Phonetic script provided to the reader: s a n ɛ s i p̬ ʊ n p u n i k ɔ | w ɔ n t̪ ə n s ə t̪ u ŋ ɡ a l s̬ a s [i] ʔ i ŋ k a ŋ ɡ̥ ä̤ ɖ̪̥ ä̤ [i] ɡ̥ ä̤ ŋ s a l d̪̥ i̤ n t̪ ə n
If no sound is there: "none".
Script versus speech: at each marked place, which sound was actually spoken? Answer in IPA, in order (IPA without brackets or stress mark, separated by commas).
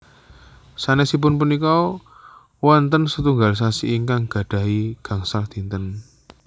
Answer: i, i